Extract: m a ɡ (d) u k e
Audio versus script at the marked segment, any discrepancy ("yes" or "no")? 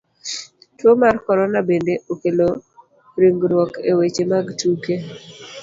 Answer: yes